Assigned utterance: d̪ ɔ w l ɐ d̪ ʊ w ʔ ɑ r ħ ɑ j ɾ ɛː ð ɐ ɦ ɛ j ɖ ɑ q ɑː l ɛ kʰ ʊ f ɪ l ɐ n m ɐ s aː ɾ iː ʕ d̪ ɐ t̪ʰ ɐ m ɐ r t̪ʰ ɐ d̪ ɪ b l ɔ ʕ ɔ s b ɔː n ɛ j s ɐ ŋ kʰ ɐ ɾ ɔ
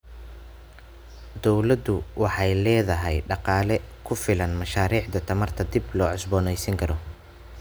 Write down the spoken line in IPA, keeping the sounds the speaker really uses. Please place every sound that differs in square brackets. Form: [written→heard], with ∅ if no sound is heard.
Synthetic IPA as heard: d̪ ɔ w l ɐ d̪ ʊ w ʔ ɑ [r→∅] ħ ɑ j [ɾ→l] ɛː ð ɐ ɦ ɛ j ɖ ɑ q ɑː l ɛ kʰ ʊ f ɪ l ɐ n m ɐ [s→ʃ] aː ɾ iː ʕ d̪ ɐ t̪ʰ ɐ m ɐ r t̪ʰ ɐ d̪ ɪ b l [ɔ→ɔː] ʕ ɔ s b ɔː n ɛ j s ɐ ŋ kʰ ɐ ɾ ɔ